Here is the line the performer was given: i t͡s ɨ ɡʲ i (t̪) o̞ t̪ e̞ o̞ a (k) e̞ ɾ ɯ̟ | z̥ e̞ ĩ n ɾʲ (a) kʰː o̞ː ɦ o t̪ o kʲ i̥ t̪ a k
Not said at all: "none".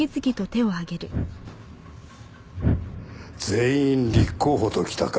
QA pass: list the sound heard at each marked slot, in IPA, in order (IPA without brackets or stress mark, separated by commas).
t̪, ɡ, i